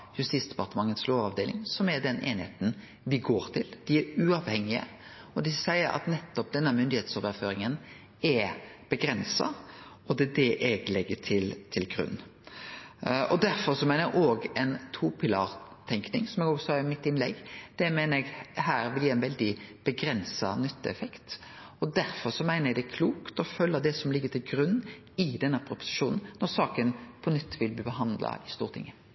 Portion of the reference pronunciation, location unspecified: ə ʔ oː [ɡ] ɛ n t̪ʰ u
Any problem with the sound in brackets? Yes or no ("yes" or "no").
no